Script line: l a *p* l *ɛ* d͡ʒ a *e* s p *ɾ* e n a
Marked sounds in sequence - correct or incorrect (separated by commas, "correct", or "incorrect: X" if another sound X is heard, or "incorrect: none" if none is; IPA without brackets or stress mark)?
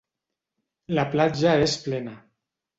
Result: correct, incorrect: a, correct, incorrect: l